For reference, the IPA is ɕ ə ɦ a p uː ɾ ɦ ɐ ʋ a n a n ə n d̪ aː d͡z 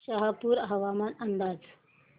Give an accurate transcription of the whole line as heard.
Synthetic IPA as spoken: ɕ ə ɦ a p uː ɾ ɦ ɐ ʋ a m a n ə n d̪ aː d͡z